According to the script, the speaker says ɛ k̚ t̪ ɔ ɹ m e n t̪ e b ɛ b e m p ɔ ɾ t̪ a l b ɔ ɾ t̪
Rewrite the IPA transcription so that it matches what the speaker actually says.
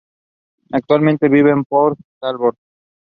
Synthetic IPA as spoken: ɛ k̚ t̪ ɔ ɾ m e n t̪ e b i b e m p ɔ ɾ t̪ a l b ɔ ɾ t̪